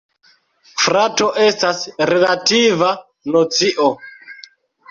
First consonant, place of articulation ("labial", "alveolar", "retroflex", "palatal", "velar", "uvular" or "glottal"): labial